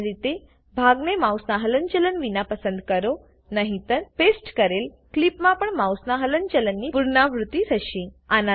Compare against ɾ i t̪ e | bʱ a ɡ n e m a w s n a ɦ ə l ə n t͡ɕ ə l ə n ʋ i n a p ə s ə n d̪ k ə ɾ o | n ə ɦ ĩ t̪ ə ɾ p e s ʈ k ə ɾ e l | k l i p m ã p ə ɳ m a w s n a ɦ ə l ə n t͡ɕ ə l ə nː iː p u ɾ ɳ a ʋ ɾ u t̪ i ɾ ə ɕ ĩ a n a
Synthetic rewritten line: ɾ i t̪ e | bʱ a ɡ n e m a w s n a ɦ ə l ə n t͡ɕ ə l ə n ʋ i n a p ə s ə n d̪ k ə ɾ o | n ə ɦ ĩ t̪ ə ɾ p e s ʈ k ə ɾ e l | k l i p m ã p ə ɳ m a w s n a ɦ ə l ə n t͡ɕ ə l ə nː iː p u ɾ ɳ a ʋ ɾ u t̪ i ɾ ə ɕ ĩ a n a